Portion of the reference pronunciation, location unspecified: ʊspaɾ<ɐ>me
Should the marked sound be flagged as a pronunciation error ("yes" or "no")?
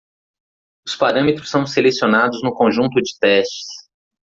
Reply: yes